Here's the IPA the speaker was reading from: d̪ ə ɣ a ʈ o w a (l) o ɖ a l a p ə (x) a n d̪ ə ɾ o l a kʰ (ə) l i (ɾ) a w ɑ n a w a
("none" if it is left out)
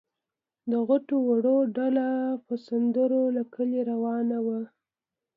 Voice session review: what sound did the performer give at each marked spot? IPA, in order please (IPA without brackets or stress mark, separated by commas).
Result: ɽ, s, ə, ɾ